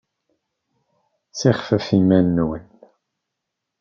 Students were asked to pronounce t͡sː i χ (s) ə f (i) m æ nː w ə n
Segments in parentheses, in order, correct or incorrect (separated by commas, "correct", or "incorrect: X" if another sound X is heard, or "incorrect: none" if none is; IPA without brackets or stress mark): incorrect: f, correct